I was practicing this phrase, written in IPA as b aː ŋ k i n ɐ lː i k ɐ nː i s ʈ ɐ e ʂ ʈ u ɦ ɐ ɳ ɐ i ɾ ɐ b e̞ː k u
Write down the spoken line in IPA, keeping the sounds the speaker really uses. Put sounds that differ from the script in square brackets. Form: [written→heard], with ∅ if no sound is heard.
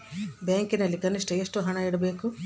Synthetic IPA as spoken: b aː ŋ k i n ɐ lː i k ɐ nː i [s→ʂ] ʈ ɐ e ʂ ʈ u ɦ ɐ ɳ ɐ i [ɾ→ɽ] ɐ b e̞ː k u